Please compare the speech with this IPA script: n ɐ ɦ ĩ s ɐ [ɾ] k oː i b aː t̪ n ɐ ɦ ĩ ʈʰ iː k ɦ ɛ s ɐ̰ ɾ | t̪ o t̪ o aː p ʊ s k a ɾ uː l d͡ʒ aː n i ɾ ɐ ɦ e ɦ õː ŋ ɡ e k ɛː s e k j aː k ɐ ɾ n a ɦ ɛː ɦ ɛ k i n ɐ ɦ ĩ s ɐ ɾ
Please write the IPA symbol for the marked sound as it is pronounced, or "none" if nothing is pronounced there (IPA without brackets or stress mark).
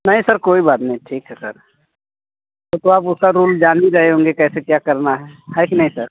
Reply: ɾ